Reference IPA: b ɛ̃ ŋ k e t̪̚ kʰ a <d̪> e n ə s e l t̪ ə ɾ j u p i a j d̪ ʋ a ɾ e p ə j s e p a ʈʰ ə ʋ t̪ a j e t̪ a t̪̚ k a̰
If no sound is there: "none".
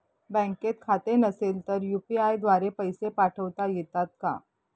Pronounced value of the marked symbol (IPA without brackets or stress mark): t̪